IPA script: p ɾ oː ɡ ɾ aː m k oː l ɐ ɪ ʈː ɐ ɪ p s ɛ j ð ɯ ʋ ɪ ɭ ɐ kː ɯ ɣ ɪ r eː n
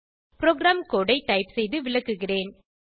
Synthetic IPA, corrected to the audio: p ɾ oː ɡ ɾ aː m k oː ɽ ɐ ɪ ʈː ɐ ɪ p s ɛ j ð ɯ ʋ ɪ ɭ ɐ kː ɯ ɣ ɪ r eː n